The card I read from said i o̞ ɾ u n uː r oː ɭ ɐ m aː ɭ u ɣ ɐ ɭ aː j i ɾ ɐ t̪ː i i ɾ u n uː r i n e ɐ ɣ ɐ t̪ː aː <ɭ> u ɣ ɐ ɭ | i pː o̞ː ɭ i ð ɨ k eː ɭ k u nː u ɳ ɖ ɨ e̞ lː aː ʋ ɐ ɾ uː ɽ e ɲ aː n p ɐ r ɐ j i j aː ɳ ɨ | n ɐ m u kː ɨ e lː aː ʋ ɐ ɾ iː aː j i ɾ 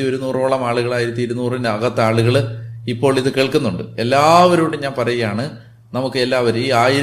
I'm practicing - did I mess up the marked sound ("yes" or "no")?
no